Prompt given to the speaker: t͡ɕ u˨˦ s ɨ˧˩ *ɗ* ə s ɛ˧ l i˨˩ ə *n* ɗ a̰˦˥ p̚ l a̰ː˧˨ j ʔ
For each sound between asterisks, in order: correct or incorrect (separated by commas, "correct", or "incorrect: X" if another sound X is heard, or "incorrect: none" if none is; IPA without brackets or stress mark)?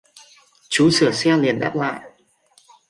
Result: incorrect: none, correct